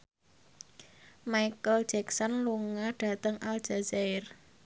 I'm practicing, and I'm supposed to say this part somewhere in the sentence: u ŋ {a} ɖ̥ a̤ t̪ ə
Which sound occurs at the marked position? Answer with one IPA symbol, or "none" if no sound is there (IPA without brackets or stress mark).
a